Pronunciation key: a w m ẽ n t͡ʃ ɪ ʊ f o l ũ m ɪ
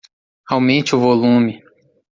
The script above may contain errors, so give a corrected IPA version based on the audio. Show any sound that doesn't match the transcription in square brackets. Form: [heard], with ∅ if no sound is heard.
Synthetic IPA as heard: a w m ẽ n t͡ʃ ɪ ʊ [v] o l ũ m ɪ